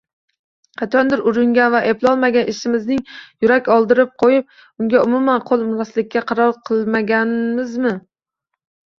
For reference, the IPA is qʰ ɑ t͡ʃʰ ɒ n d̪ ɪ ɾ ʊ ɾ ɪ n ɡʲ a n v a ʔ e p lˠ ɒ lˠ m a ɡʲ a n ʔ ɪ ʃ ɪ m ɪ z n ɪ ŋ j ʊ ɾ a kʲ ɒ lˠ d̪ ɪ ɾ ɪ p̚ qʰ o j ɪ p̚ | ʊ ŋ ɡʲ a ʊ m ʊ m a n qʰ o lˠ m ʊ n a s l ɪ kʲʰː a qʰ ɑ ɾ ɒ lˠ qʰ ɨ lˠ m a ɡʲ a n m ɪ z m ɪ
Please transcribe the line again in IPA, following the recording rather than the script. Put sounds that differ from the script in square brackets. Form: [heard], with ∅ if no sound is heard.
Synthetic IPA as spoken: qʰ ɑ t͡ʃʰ ɒ n d̪ ɪ ɾ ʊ ɾ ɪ [ŋ] ɡʲ a n v a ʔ e p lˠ ɒ lˠ m a ɡʲ a n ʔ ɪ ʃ ɪ m ɪ z n ɪ ŋ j ʊ ɾ a kʲ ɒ lˠ d̪ ɪ ɾ ɪ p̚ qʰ o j ɪ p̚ | ʊ ŋ ɡʲ a ʊ m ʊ m a n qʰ o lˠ m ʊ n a s l ɪ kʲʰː a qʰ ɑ ɾ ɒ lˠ qʰ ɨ lˠ m a ɡʲ a n m ɪ z m ɪ